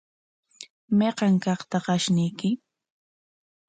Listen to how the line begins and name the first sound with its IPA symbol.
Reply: m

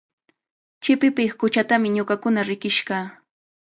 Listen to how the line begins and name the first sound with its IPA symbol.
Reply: t͡ʃ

